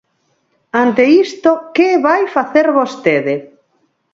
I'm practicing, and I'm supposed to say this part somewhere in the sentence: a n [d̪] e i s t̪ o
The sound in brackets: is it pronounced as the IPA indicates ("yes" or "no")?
no